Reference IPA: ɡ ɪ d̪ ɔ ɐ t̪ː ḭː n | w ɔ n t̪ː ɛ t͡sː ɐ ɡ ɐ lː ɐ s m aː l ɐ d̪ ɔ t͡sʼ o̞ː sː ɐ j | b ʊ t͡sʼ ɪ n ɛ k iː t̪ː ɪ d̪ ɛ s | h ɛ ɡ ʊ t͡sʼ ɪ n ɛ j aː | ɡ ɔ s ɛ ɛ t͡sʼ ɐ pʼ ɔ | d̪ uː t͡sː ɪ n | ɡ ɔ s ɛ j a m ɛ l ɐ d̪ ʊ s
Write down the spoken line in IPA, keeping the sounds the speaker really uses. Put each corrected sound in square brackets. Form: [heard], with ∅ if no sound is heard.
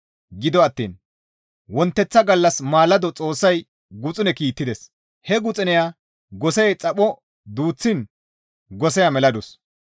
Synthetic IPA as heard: ɡ ɪ d̪ ɔ ɐ t̪ː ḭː n | w ɔ n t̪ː ɛ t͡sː ɐ ɡ ɐ lː ɐ s m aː l ɐ d̪ ɔ t͡sʼ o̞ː sː ɐ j | [ɡ] ʊ t͡sʼ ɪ n ɛ k iː t̪ː ɪ d̪ ɛ s | h ɛ ɡ ʊ t͡sʼ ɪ n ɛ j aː | ɡ ɔ s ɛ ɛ t͡sʼ ɐ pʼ ɔ | d̪ uː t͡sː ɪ n | ɡ ɔ s ɛ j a m ɛ l ɐ d̪ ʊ s